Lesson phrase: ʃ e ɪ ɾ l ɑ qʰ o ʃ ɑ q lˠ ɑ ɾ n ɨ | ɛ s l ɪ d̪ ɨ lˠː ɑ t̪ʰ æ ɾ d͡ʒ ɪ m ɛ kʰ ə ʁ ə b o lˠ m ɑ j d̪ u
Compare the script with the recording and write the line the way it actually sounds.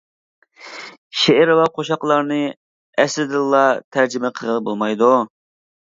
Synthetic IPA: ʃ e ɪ ɾ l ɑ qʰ o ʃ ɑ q lˠ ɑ ɾ n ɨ | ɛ s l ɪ d̪ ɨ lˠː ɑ t̪ʰ æ ɾ d͡ʒ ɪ m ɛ qʰ ə ʁ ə b o lˠ m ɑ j d̪ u